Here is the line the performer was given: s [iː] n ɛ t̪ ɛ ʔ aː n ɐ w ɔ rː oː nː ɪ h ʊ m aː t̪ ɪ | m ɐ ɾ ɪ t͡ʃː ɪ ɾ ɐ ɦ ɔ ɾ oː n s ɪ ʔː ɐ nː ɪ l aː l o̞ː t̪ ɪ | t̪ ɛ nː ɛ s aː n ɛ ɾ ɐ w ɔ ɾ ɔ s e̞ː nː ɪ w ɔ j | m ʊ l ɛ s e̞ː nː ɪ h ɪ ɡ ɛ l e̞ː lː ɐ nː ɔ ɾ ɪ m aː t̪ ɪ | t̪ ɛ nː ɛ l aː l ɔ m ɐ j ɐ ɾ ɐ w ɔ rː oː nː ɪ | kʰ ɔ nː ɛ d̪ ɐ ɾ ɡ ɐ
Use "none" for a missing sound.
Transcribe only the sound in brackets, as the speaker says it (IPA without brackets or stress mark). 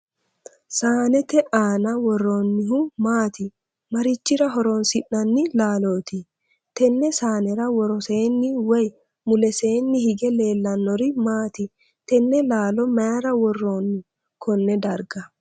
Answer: aː